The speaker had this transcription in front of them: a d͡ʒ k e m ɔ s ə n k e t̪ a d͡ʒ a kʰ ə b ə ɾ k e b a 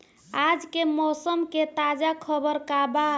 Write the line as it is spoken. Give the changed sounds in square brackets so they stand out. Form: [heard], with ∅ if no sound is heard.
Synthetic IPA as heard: a d͡ʒ k e m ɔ s ə [m] k e t̪ a d͡ʒ a kʰ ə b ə ɾ k [a] b a

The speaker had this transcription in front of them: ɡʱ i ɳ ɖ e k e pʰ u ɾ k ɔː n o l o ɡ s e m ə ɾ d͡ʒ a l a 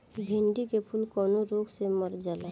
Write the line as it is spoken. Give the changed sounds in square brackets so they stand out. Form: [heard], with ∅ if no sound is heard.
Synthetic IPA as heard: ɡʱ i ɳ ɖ [i] k e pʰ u [l] k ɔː n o [ɾ] o ɡ s e m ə ɾ d͡ʒ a l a

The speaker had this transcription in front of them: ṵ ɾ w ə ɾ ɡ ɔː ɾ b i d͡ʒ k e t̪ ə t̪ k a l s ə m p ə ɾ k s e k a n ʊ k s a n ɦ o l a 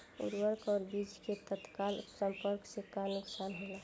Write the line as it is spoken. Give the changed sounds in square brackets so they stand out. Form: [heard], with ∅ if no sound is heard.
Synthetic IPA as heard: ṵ ɾ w ə ɾ [k] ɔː ɾ b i d͡ʒ k e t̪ ə t̪ k a l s ə m p ə ɾ k s e k a n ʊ k s a n ɦ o l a

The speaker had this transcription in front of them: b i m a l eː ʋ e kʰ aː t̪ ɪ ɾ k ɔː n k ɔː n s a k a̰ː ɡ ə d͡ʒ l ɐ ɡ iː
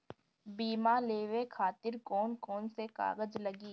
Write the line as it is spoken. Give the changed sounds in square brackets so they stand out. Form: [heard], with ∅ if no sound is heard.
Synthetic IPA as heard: b [iː] m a l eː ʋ e kʰ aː t̪ ɪ ɾ k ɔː n k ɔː n s [e] k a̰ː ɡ ə d͡ʒ l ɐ ɡ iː

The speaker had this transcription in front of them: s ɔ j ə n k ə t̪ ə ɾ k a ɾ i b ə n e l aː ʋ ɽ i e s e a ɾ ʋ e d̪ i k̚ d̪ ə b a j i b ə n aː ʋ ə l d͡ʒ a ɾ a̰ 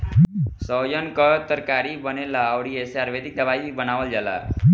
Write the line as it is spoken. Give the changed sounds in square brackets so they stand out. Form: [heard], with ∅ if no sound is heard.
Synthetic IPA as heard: s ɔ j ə n k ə t̪ ə ɾ k a ɾ i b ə n e l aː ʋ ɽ i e s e a ɾ ʋ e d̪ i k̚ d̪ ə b a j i b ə n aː ʋ ə l d͡ʒ a [l] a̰

